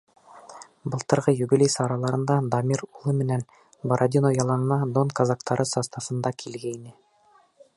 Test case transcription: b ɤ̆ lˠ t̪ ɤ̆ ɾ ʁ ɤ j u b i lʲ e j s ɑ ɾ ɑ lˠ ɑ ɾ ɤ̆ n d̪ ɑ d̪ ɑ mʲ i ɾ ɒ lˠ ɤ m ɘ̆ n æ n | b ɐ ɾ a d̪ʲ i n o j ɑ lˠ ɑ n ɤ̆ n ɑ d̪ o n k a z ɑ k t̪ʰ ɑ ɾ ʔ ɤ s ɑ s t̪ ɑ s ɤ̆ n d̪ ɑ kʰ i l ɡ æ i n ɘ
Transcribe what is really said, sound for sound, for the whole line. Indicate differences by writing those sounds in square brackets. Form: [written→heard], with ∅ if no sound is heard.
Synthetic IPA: b ɤ̆ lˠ t̪ ɤ̆ ɾ ʁ ɤ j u b i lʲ e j s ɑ ɾ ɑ lˠ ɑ ɾ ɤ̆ n d̪ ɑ d̪ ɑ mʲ i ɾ [ɒ→u] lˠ ɤ m ɘ̆ n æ n | b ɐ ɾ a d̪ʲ i n o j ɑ lˠ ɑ n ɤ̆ n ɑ d̪ o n k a z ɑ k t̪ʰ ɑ ɾ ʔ ɤ s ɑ s t̪ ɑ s ɤ̆ n d̪ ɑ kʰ i l ɡ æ i n ɘ